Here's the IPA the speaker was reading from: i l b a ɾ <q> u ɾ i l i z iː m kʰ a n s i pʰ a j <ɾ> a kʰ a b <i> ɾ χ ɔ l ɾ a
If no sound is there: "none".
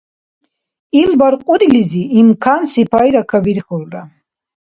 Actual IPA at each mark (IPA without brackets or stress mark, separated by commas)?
qʼ, ɾ, i